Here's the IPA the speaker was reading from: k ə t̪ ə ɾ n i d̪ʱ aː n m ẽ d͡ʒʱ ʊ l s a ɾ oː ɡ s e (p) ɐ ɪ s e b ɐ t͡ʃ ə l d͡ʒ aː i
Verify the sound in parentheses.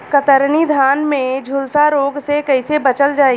incorrect: k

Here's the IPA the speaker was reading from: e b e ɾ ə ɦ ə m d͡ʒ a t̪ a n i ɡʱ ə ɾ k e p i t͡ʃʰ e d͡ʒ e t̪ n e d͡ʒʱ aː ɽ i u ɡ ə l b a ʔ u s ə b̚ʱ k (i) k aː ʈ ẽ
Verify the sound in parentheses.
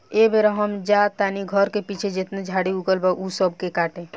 incorrect: e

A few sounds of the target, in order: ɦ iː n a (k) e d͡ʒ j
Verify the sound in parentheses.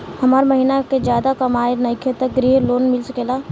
correct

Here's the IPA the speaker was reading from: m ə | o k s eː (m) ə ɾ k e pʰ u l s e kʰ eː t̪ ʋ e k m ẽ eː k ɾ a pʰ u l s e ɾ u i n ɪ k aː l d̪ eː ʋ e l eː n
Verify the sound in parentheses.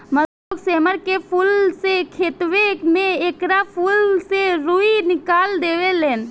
correct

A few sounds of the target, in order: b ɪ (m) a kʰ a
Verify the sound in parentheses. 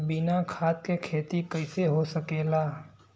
incorrect: n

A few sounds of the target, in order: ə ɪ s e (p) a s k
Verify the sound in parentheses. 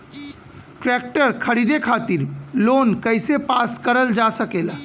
correct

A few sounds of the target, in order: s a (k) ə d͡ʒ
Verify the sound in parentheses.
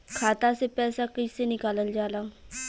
correct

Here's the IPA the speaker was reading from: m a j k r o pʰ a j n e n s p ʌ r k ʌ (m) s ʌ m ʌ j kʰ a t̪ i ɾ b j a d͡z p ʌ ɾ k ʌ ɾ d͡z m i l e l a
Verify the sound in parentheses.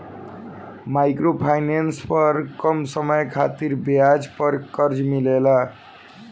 correct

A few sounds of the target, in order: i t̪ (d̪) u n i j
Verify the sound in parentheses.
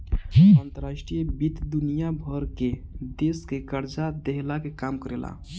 correct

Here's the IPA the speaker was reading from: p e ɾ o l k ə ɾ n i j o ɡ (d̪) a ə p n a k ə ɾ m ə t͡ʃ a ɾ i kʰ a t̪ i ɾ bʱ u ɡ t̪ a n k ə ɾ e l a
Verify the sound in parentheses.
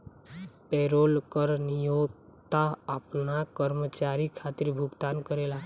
incorrect: t̪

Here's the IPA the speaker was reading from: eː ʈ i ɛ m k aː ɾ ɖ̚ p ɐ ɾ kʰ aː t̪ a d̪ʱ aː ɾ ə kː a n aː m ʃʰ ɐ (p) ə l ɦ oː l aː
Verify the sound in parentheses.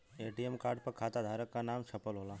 correct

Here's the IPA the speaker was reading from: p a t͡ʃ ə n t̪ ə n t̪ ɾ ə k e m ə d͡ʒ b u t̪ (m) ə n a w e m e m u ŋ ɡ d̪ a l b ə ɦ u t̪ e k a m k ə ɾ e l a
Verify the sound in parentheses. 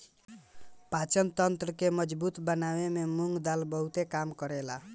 incorrect: b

